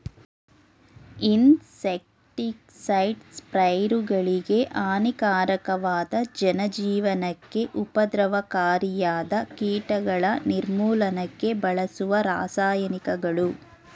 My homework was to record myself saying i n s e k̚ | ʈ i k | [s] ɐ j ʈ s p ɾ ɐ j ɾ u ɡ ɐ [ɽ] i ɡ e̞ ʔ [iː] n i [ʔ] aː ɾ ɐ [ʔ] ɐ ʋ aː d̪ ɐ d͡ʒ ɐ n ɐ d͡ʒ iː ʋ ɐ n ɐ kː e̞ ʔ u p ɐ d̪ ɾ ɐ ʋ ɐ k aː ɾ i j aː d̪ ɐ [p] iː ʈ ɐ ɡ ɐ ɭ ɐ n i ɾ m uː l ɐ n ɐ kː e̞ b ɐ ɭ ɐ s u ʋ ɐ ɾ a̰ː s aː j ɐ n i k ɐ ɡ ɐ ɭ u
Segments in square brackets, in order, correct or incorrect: correct, incorrect: ɭ, incorrect: aː, incorrect: k, incorrect: k, incorrect: k

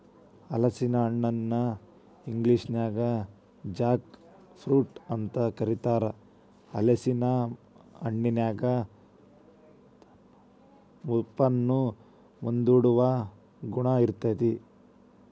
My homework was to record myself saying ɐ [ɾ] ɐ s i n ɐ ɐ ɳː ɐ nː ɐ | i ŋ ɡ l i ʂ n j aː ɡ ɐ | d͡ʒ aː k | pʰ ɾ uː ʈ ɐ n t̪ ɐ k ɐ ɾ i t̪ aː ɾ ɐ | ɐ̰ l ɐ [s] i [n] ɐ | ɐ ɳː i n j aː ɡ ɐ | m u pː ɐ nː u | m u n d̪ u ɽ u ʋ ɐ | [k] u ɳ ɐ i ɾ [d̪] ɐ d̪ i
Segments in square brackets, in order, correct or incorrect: incorrect: l, correct, correct, incorrect: ɡ, incorrect: t̪

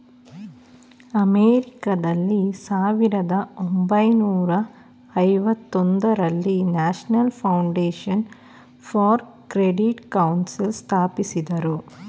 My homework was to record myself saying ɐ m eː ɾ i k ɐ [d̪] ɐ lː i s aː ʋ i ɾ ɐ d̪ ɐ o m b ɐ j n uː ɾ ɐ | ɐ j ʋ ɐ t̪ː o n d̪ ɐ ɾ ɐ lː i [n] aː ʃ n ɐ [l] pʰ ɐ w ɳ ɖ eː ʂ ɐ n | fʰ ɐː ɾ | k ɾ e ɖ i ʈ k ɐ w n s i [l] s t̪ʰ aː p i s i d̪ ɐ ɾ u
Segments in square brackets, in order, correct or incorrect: correct, correct, correct, correct

